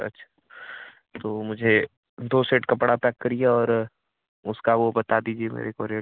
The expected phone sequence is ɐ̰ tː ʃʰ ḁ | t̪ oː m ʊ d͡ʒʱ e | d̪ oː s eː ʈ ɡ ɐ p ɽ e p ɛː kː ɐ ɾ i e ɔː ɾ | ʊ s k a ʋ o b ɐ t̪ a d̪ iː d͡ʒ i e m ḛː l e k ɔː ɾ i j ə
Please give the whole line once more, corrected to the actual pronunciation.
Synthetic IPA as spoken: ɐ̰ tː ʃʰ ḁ | t̪ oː m ʊ d͡ʒʱ e | d̪ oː s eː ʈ k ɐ p ɽ a p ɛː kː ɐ ɾ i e ɔː ɾ | ʊ s k a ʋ o b ɐ t̪ a d̪ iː d͡ʒ i e m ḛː ɾ e k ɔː ɾ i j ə